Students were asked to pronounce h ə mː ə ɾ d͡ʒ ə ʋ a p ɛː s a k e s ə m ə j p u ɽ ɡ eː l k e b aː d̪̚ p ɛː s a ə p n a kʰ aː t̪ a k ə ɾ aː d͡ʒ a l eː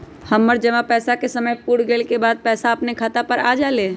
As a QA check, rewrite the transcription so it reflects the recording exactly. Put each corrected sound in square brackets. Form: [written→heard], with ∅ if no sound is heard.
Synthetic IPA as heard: h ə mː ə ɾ d͡ʒ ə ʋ a p ɛː s a k e s ə m ə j p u ɽ ɡ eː l k e b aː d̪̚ p ɛː s a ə p n [a→e] kʰ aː t̪ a [k→p] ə ɾ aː d͡ʒ a l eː